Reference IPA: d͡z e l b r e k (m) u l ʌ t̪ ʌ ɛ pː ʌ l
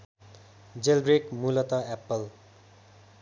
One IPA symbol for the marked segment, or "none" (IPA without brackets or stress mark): m